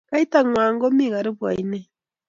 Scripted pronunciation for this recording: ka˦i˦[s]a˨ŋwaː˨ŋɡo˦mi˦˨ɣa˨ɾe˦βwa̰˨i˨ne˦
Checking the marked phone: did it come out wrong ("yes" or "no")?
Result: yes